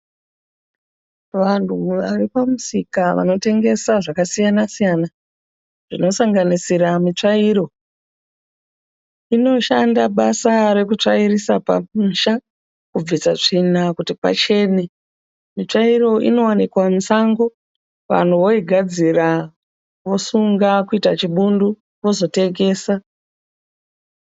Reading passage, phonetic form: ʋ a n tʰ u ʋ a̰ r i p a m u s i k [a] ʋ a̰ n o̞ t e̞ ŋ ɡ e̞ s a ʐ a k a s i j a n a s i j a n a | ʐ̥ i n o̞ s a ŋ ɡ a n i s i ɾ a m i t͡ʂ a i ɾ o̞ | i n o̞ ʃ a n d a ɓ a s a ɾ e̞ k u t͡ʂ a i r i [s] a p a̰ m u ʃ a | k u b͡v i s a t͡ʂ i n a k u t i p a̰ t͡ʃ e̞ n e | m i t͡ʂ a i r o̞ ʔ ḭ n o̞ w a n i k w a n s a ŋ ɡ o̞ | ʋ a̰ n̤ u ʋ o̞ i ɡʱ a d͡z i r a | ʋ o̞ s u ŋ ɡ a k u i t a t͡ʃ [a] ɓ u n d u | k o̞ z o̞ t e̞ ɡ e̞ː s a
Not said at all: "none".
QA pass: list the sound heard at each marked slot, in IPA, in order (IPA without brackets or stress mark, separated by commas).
a, s, i